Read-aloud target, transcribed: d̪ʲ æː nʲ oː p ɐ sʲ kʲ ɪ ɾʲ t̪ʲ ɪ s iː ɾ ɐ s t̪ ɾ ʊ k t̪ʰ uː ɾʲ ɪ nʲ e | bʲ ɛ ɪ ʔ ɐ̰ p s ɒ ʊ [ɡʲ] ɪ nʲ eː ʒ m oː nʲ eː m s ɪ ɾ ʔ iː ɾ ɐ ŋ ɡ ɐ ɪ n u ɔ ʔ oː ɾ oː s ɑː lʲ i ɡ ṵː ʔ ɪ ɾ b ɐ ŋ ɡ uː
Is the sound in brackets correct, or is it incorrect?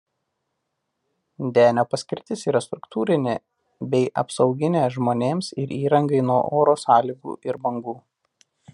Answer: correct